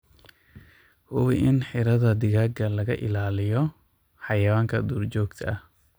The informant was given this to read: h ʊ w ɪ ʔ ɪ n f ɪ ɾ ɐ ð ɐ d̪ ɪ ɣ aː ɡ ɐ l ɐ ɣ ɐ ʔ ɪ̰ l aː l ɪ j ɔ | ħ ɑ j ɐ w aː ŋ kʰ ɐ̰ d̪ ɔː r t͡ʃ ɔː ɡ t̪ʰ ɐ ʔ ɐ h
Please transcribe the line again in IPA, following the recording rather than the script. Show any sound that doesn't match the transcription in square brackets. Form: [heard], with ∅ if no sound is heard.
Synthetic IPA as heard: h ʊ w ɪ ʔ ɪ n [ħ] ɪ ɾ ɐ ð ɐ d̪ ɪ ɣ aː ɡ ɐ l ɐ ɣ ɐ ʔ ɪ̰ l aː l ɪ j ɔ | ħ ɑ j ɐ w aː ŋ kʰ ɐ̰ d̪ [uː] r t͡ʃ ɔː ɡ t̪ʰ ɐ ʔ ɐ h